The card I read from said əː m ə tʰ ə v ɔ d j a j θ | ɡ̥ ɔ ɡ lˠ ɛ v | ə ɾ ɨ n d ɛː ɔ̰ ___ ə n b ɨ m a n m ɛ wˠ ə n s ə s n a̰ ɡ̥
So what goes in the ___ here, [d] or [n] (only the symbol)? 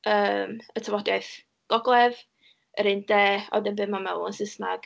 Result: d